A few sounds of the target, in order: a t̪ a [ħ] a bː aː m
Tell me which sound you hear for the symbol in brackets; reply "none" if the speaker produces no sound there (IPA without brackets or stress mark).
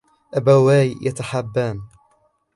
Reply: ħ